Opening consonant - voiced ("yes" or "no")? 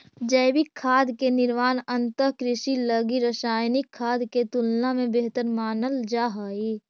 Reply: yes